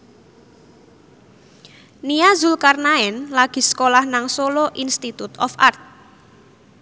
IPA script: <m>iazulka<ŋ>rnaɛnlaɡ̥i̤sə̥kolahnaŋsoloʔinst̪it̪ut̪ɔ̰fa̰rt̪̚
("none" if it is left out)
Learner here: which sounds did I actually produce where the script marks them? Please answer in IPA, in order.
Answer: n, none

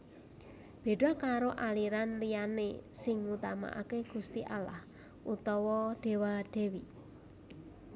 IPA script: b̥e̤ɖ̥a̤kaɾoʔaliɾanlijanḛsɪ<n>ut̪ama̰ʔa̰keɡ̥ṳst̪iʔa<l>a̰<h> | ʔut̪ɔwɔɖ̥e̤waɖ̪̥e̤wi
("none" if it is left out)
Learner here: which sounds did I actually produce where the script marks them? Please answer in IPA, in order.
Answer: ŋ, l, h

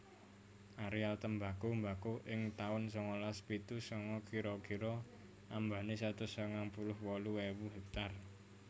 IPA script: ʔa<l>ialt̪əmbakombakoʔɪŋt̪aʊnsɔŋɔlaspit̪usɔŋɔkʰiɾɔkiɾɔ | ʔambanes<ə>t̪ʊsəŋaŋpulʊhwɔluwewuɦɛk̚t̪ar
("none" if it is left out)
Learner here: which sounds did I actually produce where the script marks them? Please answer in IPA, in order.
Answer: ɾ, a

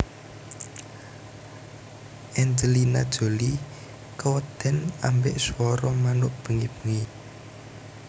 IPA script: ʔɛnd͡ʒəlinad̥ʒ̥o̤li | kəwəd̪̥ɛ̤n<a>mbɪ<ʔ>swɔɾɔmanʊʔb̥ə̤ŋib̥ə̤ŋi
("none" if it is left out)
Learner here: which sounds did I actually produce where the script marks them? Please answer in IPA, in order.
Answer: a, ʔ

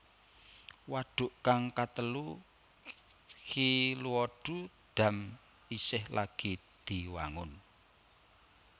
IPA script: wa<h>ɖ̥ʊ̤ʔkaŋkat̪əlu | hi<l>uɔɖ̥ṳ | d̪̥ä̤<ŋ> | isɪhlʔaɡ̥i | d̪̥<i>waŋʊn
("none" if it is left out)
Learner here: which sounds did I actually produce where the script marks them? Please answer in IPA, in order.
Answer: none, l, m, i

